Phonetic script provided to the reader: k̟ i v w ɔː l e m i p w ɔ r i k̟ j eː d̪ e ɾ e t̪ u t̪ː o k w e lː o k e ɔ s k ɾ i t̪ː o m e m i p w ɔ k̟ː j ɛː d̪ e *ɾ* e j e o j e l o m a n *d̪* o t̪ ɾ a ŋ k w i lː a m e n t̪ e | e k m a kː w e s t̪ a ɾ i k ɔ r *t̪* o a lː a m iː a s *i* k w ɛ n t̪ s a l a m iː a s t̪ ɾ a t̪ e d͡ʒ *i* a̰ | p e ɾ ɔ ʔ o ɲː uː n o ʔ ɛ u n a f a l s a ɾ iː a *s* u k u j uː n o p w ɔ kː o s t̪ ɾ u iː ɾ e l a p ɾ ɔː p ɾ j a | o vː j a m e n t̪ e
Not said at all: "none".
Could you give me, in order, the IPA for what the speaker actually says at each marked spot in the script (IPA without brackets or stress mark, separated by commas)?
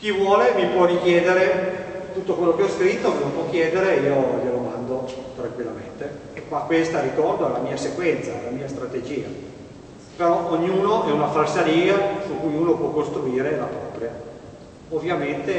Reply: ɾ, d̪, d̪, e, iː, s